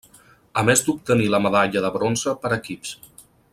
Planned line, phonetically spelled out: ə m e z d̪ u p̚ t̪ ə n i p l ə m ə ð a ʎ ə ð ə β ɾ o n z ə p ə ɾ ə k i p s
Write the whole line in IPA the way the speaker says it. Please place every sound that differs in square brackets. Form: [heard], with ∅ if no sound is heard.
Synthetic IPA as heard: ə m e z d̪ u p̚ t̪ ə n i [∅] l ə m ə ð a ʎ ə ð ə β ɾ o n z ə p ə ɾ ə k i p s